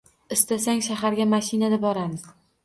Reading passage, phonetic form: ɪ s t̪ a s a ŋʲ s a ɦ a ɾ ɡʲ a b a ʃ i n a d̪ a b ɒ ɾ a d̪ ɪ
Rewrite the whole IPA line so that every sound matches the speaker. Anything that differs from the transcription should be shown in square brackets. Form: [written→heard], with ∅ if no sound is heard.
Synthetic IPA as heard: ɪ s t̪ a s a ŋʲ [s→ʃ] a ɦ a ɾ ɡʲ a [b→m] a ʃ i n a d̪ a b ɒ ɾ a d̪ ɪ